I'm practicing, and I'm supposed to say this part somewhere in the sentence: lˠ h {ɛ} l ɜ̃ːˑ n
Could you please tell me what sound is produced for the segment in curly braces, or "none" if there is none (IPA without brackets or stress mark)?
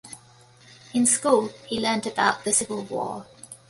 i